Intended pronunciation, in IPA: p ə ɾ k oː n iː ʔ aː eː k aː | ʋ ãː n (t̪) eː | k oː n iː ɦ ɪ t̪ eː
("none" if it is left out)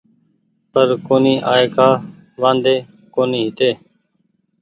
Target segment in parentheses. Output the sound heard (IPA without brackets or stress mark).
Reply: d̪